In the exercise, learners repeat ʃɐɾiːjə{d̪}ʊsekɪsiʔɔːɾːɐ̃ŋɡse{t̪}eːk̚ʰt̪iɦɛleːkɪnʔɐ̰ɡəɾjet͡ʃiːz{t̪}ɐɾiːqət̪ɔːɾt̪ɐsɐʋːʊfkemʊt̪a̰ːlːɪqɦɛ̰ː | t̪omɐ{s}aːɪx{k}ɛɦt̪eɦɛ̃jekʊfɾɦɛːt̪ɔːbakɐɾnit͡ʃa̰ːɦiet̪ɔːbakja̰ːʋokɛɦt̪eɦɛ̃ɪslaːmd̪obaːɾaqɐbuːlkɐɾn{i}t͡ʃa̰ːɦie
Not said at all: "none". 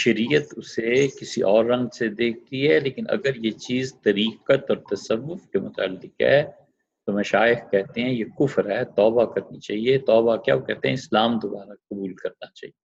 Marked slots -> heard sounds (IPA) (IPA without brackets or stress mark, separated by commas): t̪, d̪, t̪, ʃ, k, a